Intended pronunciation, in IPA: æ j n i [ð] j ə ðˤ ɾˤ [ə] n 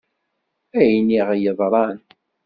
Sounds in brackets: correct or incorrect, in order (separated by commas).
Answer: incorrect, incorrect